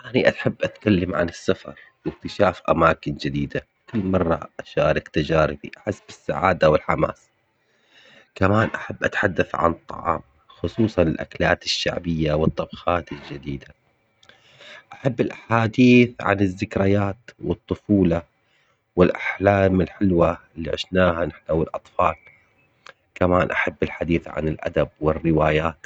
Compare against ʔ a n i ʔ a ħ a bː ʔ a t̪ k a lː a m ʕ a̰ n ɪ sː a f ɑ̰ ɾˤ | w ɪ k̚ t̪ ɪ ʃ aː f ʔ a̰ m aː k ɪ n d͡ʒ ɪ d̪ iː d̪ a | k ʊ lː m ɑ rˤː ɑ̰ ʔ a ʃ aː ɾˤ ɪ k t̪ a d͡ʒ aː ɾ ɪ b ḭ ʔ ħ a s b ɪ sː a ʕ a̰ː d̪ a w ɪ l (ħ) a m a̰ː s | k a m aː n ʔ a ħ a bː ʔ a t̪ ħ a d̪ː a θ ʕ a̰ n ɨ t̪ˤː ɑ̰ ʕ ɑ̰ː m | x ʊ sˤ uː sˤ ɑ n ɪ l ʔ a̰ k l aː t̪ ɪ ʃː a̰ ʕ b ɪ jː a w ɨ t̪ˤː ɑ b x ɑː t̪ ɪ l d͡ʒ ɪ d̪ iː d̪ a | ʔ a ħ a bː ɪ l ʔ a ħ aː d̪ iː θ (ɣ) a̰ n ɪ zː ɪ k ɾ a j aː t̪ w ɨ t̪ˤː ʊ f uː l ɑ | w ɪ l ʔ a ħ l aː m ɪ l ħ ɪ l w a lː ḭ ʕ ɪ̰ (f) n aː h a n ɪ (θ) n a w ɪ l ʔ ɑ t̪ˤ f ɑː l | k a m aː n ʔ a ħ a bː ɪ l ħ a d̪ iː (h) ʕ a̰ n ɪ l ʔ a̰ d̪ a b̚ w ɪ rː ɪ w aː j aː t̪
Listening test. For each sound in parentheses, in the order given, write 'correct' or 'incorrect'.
correct, incorrect: ʕ, incorrect: ʃ, incorrect: ħ, incorrect: θ

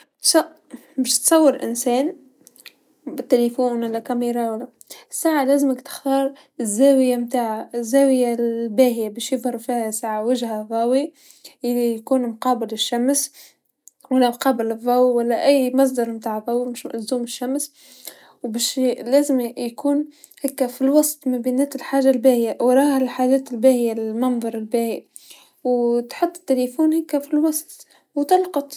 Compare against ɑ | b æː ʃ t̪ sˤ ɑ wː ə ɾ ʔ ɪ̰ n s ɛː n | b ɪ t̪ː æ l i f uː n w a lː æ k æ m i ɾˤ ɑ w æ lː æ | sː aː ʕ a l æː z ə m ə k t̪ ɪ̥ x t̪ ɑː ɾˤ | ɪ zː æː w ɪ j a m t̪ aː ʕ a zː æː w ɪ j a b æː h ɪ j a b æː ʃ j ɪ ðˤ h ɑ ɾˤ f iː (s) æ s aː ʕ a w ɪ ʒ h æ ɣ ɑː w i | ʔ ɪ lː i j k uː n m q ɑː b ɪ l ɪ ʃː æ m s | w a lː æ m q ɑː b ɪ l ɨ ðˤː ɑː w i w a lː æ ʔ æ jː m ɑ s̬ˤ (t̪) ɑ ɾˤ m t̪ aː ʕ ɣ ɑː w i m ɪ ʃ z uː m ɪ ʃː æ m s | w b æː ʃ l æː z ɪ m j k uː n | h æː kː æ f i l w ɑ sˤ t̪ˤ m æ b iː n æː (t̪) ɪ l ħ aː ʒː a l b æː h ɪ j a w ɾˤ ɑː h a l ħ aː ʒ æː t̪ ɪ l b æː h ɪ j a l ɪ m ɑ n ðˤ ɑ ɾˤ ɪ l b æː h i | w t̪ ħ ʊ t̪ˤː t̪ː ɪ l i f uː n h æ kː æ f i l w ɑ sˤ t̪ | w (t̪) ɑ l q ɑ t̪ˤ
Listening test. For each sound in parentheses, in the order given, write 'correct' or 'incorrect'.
incorrect: h, incorrect: d̪, correct, correct

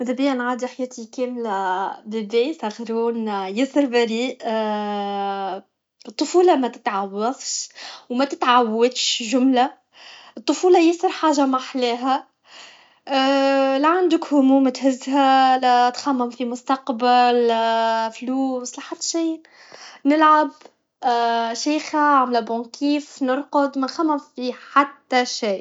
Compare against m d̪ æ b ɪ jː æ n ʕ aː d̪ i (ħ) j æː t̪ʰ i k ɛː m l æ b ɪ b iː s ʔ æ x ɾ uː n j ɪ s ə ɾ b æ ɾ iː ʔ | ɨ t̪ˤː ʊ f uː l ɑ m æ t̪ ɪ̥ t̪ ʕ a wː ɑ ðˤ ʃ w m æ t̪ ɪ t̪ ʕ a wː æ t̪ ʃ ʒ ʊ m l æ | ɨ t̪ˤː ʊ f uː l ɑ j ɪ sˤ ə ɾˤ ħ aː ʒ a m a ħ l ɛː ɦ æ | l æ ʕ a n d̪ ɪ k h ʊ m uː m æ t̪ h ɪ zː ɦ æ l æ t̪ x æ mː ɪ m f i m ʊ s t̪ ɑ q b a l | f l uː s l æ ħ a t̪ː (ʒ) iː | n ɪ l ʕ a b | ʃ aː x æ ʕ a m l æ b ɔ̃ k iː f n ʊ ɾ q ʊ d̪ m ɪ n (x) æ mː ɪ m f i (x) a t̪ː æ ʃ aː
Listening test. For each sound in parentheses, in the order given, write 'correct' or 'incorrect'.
correct, incorrect: ʃ, correct, incorrect: ħ

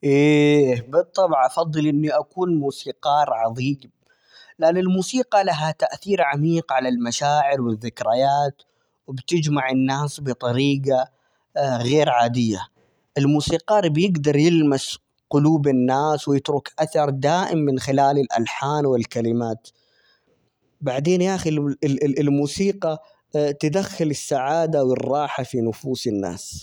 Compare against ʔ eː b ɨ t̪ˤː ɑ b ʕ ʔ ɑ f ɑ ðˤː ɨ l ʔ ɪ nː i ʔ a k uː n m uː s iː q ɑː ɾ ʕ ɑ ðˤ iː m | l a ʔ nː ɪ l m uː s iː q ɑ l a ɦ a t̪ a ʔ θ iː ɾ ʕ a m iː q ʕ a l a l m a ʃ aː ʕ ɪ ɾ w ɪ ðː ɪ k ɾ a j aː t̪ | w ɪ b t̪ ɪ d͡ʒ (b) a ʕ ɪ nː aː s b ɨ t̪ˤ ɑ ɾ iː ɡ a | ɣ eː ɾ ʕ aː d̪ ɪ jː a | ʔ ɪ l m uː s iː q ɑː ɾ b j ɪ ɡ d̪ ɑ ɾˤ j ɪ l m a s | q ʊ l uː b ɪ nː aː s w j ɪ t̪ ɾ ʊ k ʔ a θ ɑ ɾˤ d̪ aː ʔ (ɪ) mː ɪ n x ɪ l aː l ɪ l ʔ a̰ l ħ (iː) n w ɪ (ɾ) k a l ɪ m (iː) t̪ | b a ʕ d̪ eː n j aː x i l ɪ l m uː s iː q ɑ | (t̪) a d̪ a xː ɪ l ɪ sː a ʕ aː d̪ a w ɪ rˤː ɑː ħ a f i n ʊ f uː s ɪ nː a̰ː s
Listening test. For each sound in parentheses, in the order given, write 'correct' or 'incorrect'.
incorrect: m, correct, incorrect: aː, incorrect: l, incorrect: aː, correct

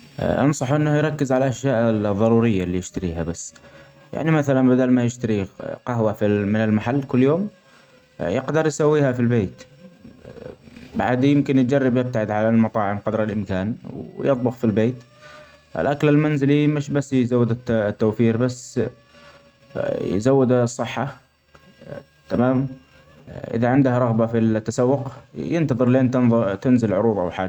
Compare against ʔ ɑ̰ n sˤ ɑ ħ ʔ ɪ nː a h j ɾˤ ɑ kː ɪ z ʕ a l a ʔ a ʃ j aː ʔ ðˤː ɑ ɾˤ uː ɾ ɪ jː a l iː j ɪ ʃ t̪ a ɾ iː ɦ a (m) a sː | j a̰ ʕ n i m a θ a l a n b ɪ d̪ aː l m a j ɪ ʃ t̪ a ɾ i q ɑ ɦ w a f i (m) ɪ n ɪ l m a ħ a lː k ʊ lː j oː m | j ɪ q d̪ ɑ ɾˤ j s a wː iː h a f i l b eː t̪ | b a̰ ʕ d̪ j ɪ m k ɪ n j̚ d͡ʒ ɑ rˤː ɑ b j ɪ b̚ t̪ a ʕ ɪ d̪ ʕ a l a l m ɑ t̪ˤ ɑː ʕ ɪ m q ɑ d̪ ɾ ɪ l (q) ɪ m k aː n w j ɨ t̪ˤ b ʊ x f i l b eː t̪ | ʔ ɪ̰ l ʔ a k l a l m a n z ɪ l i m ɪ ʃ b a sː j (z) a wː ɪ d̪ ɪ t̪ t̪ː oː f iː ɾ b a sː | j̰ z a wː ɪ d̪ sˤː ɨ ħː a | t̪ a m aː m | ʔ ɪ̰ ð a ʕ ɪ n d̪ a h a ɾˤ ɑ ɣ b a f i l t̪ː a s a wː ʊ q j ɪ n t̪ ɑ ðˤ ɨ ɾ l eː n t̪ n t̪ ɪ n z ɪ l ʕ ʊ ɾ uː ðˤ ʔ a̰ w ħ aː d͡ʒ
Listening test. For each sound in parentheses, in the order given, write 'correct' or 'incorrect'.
incorrect: b, correct, incorrect: ʔ, correct

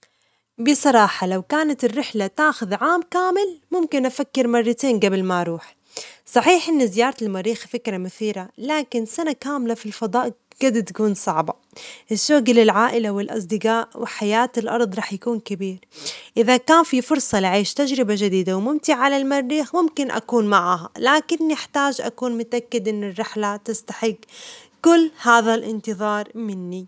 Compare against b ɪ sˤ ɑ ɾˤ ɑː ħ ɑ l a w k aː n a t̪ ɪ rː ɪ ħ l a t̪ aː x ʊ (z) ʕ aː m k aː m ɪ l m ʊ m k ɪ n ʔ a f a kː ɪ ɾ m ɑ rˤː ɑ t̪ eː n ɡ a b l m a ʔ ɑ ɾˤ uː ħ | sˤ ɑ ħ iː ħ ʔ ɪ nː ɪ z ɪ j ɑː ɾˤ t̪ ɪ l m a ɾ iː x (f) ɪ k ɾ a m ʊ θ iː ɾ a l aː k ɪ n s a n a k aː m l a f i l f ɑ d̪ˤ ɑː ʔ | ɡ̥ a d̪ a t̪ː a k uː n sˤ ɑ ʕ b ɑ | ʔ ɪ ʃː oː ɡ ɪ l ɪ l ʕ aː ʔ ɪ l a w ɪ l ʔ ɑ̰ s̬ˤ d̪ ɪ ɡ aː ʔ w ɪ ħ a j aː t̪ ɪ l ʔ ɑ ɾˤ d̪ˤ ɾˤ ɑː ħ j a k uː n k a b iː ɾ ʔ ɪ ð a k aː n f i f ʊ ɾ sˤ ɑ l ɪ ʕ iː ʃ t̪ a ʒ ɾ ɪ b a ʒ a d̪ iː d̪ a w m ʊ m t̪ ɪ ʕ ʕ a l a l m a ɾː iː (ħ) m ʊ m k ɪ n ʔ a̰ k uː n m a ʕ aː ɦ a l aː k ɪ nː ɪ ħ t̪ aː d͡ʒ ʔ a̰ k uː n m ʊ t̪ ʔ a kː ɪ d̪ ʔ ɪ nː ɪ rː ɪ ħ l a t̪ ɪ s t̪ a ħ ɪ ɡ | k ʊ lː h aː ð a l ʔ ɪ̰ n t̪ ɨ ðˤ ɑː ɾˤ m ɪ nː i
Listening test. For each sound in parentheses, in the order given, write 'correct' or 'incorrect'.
incorrect: ð, correct, incorrect: x

